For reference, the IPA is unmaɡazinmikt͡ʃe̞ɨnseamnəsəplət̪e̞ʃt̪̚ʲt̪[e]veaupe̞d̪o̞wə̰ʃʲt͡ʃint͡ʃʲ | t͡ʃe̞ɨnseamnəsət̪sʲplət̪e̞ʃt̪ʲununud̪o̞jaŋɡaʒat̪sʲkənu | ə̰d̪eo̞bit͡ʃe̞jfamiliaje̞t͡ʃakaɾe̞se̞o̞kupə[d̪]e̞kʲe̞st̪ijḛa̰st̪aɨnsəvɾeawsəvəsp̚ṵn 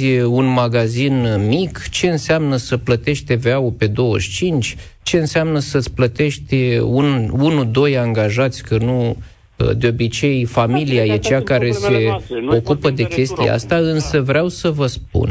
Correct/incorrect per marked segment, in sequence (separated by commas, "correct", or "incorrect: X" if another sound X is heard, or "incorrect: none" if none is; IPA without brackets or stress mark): correct, correct